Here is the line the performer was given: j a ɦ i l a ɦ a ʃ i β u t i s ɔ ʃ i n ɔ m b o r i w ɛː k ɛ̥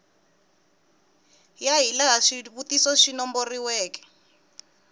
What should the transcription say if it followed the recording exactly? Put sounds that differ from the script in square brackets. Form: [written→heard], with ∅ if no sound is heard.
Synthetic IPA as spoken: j a ɦ i l a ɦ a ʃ i β u t i s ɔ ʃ i n ɔ m b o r i w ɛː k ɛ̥